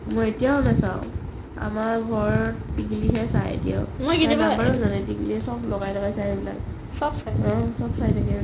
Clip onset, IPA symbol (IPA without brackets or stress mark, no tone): m